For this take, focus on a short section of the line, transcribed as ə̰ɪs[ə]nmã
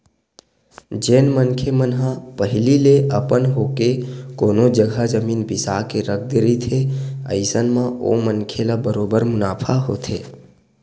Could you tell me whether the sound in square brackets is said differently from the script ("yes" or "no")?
no